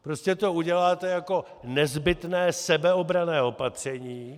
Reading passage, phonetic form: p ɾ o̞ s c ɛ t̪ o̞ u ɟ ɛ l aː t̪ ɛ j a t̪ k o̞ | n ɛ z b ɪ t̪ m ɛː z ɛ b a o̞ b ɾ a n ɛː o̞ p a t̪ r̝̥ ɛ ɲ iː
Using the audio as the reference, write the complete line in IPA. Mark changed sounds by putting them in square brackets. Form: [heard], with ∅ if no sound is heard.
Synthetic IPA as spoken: p ɾ o̞ s c ɛ t̪ o̞ u ɟ ɛ l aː t̪ ɛ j a [∅] k o̞ | n ɛ z b ɪ t̪ [n] ɛː [s] ɛ b [ɛ] o̞ b ɾ a n ɛː o̞ p a t̪ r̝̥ ɛ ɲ iː